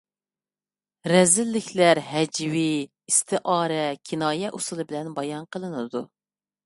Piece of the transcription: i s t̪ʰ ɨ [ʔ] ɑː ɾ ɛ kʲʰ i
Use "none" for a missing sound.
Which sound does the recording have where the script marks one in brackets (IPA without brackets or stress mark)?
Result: ʔ